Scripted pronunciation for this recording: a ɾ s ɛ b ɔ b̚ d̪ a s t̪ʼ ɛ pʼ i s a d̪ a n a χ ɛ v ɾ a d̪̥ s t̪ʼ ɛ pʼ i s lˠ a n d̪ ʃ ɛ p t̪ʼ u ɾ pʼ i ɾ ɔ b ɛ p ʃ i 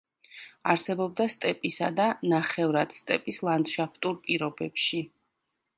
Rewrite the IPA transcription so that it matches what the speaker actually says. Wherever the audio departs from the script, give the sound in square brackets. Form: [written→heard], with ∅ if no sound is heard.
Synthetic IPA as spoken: a ɾ s ɛ b ɔ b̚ d̪ a s t̪ʼ ɛ pʼ i s a d̪ a n a χ ɛ v ɾ a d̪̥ s t̪ʼ ɛ pʼ i s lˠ a n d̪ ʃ [ɛ→a] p t̪ʼ u ɾ pʼ i ɾ ɔ b ɛ p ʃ i